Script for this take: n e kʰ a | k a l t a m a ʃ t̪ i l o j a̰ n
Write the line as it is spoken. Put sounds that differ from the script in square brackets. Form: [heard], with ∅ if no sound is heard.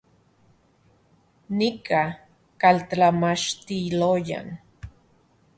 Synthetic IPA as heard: n [i] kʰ a | k a l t a m a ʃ t̪ i l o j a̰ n